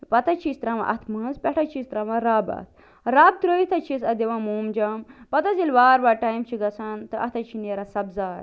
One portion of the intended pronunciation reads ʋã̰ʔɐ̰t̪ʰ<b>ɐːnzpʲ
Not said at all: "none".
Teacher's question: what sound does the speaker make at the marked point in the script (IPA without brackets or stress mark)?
m